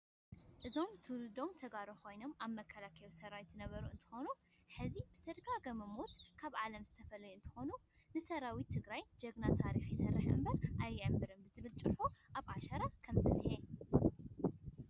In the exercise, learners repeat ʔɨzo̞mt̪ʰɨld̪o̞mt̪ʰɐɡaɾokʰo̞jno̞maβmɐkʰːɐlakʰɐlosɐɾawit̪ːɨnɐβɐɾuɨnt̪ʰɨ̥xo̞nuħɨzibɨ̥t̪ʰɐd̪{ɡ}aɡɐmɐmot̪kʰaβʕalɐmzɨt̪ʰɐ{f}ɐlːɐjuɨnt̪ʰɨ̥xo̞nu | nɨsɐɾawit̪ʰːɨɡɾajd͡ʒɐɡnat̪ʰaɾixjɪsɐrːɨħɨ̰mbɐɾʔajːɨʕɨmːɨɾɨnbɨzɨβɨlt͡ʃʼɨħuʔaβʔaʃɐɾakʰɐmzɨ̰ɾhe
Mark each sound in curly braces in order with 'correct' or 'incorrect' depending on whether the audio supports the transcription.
correct, correct

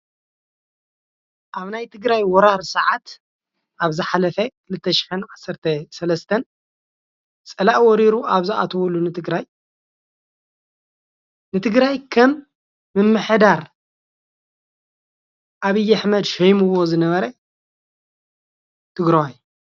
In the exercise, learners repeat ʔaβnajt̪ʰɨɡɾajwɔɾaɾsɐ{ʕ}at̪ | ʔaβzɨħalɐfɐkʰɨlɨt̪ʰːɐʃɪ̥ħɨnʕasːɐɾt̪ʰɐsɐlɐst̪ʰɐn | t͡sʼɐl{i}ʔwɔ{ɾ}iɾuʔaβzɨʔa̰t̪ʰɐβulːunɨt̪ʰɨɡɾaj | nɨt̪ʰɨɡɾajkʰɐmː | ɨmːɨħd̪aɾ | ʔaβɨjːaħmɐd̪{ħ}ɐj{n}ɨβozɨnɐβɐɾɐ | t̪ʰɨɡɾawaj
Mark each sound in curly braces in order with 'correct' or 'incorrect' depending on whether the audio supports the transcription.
correct, incorrect: a, correct, incorrect: ʃ, incorrect: m

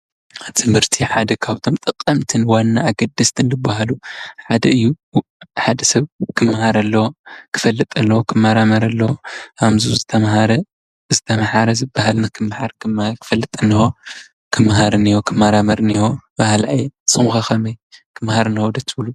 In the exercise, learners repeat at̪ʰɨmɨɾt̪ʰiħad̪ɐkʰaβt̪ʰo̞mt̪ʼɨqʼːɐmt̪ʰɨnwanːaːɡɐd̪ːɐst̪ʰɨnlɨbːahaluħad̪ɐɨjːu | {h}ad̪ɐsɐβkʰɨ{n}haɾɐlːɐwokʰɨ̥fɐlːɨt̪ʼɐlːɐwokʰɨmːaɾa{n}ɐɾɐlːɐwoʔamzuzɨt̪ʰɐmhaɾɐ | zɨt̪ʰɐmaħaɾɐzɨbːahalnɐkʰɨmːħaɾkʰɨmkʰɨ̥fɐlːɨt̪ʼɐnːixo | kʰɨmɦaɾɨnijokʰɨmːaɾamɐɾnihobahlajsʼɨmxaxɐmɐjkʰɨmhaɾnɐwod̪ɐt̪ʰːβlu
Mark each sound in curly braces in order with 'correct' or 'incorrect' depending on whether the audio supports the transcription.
incorrect: ħ, incorrect: m, incorrect: m

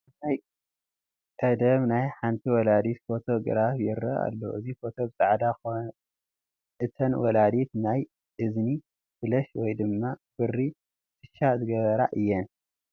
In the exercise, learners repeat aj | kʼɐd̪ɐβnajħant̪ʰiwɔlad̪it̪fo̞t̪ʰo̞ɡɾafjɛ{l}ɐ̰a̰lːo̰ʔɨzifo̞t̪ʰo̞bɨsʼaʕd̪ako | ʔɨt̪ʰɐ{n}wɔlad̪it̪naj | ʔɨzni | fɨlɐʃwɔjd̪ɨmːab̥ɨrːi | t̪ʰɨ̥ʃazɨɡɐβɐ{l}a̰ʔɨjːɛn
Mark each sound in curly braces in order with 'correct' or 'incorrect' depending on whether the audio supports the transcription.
incorrect: ɾ, correct, incorrect: ɾ

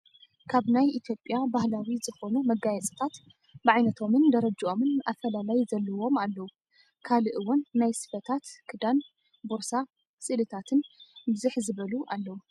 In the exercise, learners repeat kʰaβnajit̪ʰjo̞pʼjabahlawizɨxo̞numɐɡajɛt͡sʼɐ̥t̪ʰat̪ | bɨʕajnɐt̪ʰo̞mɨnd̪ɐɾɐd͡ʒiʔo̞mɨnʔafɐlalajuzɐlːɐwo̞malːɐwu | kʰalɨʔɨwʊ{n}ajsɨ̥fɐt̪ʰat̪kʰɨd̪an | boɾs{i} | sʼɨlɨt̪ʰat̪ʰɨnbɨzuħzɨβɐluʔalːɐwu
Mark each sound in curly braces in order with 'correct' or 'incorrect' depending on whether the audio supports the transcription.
incorrect: nː, incorrect: a

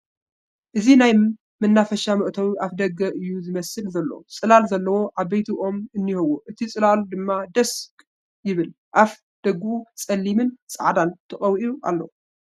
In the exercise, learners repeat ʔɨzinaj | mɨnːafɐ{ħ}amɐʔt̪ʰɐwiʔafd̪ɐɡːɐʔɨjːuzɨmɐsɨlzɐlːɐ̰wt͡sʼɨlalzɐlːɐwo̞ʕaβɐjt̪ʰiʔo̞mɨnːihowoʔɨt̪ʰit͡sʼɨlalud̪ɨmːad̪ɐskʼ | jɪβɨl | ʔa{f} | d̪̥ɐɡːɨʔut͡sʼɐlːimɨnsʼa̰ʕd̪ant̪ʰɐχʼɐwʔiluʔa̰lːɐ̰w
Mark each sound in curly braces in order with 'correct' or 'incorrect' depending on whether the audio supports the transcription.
incorrect: ʃ, correct

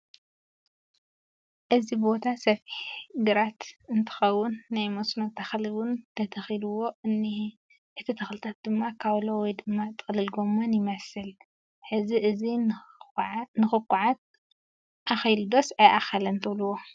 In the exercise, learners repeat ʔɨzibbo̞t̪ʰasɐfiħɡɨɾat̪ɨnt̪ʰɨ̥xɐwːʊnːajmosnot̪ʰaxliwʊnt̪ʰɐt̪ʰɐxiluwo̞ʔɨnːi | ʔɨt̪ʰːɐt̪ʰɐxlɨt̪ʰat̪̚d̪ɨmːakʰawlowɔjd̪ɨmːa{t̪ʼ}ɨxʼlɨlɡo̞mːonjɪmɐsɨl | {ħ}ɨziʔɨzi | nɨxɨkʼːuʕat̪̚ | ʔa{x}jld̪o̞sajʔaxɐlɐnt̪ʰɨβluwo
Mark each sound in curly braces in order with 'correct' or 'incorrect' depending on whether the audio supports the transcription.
correct, correct, correct

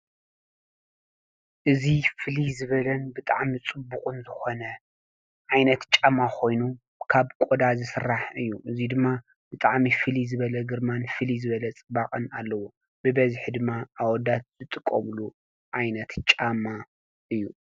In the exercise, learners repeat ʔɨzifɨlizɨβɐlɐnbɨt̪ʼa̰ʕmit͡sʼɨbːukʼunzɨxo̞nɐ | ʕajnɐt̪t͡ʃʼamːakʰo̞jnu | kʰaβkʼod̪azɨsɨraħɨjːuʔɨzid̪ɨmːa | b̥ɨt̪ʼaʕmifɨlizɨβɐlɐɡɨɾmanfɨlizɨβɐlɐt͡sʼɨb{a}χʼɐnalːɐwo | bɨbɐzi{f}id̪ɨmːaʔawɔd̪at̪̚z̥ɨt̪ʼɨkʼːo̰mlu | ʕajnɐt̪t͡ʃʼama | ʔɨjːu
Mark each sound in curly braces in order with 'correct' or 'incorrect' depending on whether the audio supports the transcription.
correct, incorrect: ħ

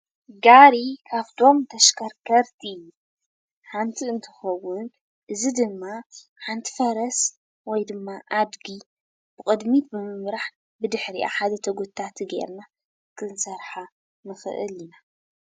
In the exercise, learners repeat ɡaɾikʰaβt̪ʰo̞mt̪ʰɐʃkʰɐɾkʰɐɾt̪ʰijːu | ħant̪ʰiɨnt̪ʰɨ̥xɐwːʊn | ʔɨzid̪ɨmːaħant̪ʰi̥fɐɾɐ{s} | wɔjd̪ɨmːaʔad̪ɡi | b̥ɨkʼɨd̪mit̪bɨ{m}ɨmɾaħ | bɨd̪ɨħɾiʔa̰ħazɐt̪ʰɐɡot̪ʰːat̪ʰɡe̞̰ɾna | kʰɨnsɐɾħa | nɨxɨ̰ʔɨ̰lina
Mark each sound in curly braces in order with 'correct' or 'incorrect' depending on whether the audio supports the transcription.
correct, correct

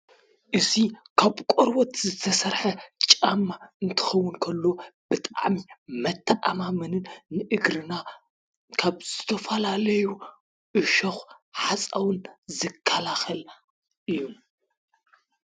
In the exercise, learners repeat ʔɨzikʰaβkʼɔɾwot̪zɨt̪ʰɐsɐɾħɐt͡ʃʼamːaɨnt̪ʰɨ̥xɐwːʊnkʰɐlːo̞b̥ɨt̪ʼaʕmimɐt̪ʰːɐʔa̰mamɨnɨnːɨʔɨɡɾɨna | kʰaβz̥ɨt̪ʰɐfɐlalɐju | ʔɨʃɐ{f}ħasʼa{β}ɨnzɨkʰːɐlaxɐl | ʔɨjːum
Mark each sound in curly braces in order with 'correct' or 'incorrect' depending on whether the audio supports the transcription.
incorrect: x, incorrect: w

